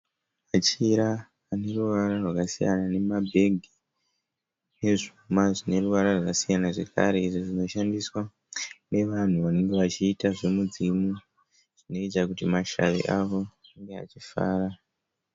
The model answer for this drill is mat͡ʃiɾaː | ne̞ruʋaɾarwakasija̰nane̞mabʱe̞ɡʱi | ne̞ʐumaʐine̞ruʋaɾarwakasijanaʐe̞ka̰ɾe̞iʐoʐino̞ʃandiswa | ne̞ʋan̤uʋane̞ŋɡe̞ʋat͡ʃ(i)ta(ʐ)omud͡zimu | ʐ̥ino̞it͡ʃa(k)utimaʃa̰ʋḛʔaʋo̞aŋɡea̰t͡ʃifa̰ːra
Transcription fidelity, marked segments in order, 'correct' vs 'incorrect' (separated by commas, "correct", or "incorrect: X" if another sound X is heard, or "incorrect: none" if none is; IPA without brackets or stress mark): incorrect: iː, correct, correct